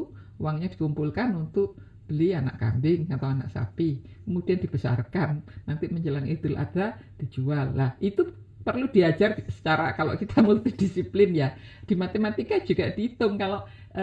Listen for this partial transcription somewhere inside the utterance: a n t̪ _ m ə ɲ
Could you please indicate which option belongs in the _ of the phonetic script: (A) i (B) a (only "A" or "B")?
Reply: A